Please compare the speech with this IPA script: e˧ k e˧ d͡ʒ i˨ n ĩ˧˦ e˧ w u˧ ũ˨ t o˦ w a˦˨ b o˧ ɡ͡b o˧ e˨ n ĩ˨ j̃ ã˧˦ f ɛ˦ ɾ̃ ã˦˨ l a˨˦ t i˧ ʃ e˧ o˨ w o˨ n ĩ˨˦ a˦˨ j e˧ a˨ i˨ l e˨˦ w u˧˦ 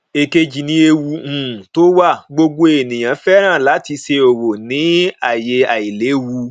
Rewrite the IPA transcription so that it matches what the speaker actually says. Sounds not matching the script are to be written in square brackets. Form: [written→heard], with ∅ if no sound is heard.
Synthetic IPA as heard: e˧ k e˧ d͡ʒ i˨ n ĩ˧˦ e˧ w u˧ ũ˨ t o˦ w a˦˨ [b→ɡ͡b] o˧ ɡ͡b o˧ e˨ n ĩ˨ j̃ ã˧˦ f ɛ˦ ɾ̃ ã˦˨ l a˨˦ t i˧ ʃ e˧ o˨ w o˨ n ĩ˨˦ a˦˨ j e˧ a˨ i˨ l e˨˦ w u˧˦